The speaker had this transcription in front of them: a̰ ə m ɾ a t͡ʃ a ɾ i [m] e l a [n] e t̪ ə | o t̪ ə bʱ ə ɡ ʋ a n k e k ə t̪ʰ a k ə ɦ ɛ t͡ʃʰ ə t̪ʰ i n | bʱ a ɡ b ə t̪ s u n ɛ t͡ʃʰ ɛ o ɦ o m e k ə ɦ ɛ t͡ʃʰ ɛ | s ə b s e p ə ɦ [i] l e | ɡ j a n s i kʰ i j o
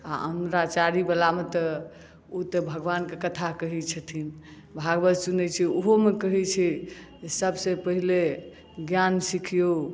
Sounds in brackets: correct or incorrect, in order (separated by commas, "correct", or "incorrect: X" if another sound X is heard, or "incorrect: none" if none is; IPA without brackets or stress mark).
incorrect: b, incorrect: m, correct